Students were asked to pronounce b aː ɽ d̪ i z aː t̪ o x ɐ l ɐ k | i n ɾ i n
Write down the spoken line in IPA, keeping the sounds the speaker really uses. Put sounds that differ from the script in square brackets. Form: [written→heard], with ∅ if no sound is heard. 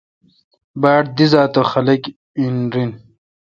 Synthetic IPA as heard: b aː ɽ d̪ i z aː t̪ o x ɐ l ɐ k | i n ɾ i n